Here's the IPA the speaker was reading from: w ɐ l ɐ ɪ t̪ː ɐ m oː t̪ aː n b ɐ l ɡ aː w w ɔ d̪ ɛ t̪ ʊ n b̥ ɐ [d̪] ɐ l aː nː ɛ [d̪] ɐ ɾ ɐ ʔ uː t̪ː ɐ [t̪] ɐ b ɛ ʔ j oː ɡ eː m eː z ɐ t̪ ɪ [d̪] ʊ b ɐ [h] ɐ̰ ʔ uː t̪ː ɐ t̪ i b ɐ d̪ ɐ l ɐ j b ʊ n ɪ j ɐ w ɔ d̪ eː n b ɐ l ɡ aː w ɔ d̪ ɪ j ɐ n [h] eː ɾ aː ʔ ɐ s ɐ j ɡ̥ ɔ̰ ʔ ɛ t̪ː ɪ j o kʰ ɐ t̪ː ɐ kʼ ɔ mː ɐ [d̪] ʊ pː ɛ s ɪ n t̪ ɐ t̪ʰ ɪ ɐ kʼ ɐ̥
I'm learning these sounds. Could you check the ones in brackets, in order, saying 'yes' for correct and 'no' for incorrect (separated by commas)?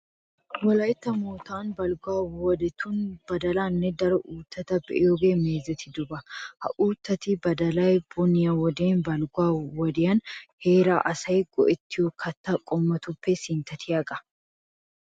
yes, yes, yes, yes, yes, yes, no